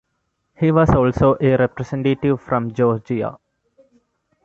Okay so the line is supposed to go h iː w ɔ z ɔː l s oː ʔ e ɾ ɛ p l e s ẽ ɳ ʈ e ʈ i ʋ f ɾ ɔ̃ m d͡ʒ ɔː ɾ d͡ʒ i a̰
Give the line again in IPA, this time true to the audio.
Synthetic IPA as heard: h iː ʋ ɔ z ɔː l s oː ʔ e ɾ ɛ p ɾ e s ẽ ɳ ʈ e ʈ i ʋ f ɾ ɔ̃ m d͡ʒ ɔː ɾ d͡ʒ i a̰